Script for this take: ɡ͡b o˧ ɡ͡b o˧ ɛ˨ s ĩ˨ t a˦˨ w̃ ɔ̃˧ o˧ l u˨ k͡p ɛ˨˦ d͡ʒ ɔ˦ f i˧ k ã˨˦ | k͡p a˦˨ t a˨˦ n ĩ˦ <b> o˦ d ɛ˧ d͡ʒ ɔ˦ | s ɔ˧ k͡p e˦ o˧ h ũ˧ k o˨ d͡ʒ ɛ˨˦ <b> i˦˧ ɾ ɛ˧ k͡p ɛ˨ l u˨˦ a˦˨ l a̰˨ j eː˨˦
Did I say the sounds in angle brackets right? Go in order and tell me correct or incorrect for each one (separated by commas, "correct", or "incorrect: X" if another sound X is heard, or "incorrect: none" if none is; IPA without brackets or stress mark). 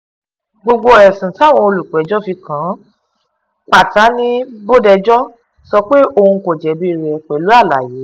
correct, correct